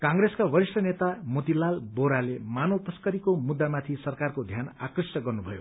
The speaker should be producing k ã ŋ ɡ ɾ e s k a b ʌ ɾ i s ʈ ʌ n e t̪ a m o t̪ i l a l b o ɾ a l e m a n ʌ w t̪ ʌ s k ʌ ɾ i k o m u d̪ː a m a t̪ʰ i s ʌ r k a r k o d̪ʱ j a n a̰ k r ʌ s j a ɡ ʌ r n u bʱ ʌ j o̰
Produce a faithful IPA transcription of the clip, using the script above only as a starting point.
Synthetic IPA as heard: k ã ŋ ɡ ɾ e s k a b ʌ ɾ i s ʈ ʌ n e t̪ a m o t̪ i l a l b o ɾ a l e m a n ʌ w t̪ ʌ s k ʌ ɾ i k o m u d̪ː a m a t̪ʰ i s ʌ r k a r k o d̪ʱ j a n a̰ k r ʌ s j ʌ ɡ ʌ r n u bʱ ʌ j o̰